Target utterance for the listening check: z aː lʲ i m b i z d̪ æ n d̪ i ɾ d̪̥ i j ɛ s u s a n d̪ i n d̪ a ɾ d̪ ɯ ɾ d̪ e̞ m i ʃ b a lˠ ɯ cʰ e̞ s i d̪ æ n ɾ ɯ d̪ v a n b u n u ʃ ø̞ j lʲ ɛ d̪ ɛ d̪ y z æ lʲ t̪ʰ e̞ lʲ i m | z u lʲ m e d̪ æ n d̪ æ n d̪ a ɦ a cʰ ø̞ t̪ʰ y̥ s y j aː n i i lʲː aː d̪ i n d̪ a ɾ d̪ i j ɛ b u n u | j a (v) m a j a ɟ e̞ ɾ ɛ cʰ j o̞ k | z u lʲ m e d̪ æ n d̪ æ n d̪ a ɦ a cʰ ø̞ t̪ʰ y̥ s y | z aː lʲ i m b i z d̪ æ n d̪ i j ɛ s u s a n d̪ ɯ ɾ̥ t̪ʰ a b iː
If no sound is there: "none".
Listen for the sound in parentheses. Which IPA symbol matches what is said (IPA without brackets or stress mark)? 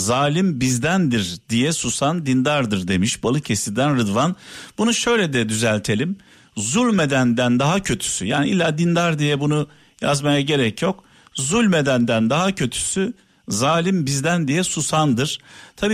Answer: z